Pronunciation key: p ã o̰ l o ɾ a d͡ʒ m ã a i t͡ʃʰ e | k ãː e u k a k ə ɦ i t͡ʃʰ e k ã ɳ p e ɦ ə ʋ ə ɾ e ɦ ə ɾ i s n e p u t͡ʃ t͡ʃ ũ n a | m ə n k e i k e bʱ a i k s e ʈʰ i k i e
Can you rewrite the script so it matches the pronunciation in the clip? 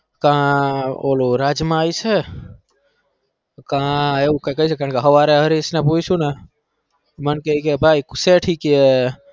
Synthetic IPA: k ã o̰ l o ɾ a d͡ʒ m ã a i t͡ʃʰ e | k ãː e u k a k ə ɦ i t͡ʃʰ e k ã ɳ k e ɦ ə ʋ a ɾ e ɦ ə ɾ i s n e p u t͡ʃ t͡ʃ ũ n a | m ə n k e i k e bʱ a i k s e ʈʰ i k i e